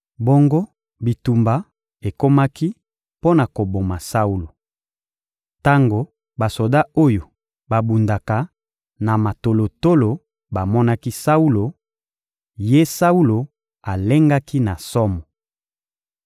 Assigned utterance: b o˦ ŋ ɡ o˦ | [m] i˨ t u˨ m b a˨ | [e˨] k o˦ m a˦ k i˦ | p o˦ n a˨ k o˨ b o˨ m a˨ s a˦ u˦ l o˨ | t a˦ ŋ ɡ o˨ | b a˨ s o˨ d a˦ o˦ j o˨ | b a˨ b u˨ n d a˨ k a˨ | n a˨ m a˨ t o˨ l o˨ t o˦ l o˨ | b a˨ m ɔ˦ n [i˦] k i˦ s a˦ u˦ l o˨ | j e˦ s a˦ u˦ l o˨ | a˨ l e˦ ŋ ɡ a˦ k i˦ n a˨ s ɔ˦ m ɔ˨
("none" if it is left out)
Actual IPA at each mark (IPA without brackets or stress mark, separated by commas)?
b, e˨, a˦